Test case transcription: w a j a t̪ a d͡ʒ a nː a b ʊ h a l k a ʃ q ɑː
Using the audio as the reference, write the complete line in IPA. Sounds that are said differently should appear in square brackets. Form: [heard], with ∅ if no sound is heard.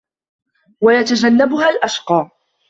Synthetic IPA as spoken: w a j a t̪ a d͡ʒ a nː a b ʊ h a l [ʔ] a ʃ q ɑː